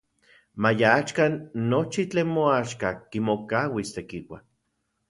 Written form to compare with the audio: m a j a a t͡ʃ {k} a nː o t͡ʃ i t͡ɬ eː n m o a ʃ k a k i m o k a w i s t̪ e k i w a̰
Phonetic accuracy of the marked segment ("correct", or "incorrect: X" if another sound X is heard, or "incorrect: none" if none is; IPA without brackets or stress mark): correct